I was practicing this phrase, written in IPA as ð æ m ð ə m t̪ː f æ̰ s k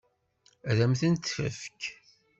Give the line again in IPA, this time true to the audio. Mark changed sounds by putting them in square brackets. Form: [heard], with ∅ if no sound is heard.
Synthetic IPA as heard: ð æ m [θ] ə [n] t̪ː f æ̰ [f] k